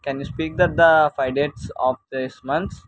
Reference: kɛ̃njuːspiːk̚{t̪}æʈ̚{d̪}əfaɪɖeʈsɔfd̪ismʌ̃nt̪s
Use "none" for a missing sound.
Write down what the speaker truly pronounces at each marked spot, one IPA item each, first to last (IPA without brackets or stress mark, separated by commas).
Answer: d̪, d̪